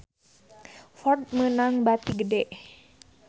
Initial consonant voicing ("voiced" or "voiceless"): voiceless